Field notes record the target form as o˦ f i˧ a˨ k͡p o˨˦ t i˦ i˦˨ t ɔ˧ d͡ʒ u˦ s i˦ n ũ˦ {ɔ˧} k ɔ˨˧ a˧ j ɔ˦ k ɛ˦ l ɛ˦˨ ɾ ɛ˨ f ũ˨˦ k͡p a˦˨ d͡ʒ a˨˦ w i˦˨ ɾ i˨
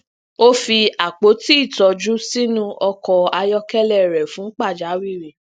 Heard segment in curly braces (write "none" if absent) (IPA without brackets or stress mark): ɔ˧